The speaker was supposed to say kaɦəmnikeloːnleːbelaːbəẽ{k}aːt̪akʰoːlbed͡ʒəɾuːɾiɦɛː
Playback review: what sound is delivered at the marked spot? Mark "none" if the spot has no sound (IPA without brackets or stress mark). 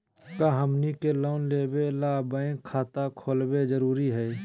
kʰ